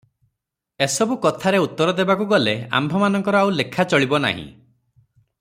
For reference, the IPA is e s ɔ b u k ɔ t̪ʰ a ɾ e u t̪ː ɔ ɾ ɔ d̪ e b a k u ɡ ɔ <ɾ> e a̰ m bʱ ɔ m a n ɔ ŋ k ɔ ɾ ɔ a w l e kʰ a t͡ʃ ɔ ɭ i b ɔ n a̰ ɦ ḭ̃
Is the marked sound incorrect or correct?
incorrect